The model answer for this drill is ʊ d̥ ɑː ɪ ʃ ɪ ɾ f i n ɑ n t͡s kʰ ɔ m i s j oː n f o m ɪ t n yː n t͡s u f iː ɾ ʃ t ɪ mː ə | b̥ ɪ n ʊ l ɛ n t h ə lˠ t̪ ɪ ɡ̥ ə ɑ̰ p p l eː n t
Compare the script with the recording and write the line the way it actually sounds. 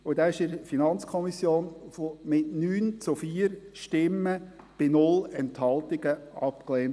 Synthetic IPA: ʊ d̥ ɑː ɪ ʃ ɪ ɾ f i n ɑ n t͡s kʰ ɔ m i s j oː n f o m ɪ t n yː n t͡s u f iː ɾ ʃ t ɪ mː ə | b̥ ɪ n ʊ l ɛ n t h ɑ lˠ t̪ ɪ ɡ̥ ə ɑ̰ p k l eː n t